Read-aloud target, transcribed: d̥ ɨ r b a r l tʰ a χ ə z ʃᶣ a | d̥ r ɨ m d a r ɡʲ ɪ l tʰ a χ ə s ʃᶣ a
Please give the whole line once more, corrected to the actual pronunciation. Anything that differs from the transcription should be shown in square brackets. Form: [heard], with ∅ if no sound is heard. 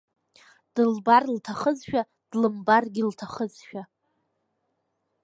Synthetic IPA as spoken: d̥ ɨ [l] b a r l tʰ a χ ə z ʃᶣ a | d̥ [l] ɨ m [b] a r ɡʲ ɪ l tʰ a χ ə [z] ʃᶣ a